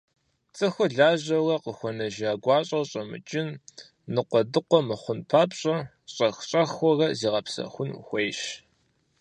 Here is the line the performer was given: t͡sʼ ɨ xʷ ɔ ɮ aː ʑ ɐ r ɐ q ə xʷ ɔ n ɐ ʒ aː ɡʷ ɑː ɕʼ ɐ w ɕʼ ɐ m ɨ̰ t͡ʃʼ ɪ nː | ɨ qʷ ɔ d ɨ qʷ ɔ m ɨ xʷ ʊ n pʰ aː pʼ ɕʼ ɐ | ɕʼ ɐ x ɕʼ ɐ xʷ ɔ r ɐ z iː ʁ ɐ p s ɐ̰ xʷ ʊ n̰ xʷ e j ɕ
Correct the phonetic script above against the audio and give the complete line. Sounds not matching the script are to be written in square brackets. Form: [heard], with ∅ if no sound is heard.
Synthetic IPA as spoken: t͡sʼ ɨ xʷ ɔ ɮ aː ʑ ɐ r ɐ q ə xʷ ɔ n ɐ ʒ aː ɡʷ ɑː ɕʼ ɐ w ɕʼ ɐ m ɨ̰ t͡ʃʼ ɪ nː | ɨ qʷ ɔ d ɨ qʷ ɔ m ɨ [χʷ] ʊ n pʰ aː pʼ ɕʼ ɐ | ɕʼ ɐ x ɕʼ ɐ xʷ ɔ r ɐ z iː ʁ ɐ p s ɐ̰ xʷ ʊ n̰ xʷ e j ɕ